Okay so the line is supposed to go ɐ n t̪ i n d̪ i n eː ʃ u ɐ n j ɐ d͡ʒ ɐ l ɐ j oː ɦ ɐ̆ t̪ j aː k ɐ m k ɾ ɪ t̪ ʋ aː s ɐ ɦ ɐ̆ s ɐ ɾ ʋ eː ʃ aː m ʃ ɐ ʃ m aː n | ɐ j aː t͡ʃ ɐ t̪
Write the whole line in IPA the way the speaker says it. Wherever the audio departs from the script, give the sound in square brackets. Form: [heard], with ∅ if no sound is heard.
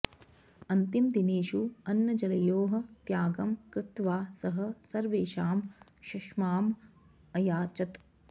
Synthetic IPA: ɐ n t̪ i [m] d̪ i n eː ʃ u ɐ n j ɐ d͡ʒ ɐ l ɐ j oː ɦ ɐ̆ t̪ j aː [ɡ] ɐ m k ɾ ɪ t̪ ʋ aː s ɐ ɦ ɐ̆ s ɐ ɾ ʋ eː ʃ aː m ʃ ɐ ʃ m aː [m] | ɐ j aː t͡ʃ ɐ t̪